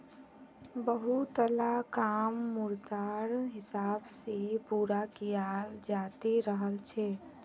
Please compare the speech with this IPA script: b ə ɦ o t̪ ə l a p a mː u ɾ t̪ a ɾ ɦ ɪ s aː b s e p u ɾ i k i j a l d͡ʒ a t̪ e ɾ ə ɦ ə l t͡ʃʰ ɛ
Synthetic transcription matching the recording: b ə ɦ u t̪ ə l a k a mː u ɾ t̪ a ɾ ɦ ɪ s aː b s e p u ɾ a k i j a l d͡ʒ a t̪ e ɾ ə ɦ ə l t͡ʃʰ ɛ